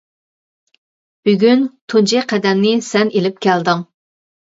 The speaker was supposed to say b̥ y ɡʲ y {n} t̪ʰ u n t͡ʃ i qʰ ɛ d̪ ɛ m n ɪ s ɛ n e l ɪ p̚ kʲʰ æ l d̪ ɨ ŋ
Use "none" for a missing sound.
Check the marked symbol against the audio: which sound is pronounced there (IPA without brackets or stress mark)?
n